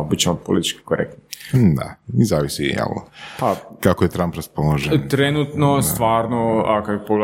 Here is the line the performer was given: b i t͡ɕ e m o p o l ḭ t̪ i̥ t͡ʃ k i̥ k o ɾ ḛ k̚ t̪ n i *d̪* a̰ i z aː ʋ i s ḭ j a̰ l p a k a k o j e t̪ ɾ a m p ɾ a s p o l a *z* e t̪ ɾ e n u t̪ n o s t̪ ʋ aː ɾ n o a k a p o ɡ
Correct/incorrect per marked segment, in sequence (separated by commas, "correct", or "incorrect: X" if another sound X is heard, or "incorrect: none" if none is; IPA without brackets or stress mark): correct, incorrect: ʒ